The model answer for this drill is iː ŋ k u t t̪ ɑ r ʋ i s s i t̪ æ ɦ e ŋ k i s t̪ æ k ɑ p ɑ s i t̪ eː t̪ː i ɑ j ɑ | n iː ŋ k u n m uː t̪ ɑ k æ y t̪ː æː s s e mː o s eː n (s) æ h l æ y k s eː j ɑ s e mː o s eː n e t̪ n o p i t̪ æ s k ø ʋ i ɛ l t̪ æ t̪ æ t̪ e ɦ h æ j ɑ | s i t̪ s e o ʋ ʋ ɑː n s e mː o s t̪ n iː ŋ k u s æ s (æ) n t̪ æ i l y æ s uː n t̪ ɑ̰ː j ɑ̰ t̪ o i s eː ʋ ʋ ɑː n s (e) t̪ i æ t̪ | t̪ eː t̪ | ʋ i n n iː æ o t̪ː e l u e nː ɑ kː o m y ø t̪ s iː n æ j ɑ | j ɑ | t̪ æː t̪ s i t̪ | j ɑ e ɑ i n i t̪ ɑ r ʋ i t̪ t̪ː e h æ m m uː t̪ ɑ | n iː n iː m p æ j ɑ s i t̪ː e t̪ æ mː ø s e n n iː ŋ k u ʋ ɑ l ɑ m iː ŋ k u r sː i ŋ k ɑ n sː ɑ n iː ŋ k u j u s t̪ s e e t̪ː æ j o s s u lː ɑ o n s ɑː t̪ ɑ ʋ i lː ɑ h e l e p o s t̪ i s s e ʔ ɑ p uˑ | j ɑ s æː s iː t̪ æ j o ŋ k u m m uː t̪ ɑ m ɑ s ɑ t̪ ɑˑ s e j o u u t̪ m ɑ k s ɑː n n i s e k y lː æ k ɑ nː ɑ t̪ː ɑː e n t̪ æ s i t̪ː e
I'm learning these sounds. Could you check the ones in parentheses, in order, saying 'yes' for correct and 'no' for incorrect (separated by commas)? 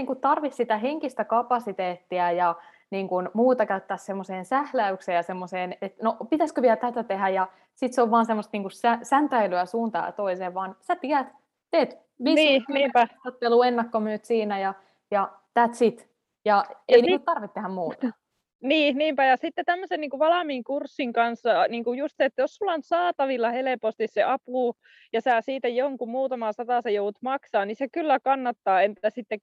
yes, yes, no